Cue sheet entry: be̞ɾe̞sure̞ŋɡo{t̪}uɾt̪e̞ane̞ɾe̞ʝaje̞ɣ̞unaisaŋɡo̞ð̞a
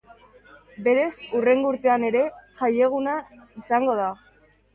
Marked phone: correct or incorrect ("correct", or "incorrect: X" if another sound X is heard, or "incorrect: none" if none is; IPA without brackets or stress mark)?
incorrect: none